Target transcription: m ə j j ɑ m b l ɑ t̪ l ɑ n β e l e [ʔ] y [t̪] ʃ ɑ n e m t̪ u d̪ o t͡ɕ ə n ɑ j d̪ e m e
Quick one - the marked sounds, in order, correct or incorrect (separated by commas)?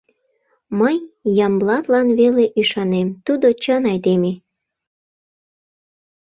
correct, incorrect